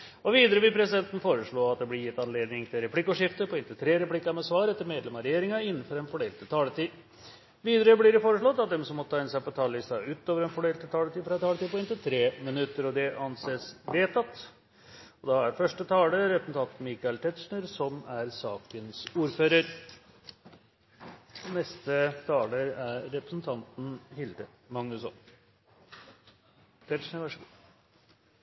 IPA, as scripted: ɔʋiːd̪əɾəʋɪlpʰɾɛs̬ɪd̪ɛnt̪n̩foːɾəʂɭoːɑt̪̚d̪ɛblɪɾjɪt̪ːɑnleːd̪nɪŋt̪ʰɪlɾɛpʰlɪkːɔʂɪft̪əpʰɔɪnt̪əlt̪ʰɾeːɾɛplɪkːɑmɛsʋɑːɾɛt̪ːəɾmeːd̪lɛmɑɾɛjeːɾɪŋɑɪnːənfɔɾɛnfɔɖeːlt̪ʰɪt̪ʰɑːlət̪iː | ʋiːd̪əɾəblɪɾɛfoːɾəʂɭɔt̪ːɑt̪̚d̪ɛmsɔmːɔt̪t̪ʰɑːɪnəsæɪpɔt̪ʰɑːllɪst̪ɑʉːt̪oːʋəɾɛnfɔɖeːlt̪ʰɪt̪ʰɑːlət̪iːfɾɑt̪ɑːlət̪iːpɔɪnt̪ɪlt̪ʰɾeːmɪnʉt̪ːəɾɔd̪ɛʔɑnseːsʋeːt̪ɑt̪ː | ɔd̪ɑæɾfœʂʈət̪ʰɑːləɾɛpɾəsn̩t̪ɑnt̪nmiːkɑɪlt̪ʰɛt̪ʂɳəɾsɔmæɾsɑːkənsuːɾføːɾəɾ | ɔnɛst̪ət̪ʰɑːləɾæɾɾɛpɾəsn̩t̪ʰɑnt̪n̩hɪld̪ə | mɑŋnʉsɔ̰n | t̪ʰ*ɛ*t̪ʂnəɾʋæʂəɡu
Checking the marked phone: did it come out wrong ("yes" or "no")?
no